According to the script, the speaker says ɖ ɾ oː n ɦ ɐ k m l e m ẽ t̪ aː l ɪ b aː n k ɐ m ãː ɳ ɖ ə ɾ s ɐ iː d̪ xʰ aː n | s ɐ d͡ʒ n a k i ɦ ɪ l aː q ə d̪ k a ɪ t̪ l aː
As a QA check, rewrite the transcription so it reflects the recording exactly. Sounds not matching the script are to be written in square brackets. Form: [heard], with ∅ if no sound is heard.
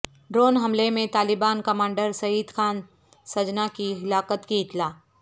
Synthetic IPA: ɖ ɾ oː n ɦ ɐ [∅] m l e m ẽ t̪ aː l ɪ b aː n k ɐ m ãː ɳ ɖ ə ɾ s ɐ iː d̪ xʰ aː n | s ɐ d͡ʒ n a k i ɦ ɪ l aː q ə [t̪] k [i] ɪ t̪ l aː